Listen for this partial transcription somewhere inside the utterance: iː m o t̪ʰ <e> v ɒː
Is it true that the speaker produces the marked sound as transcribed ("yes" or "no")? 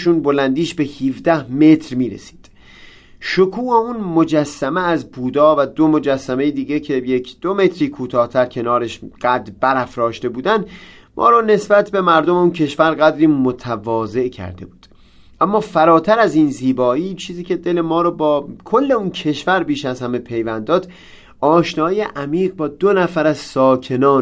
no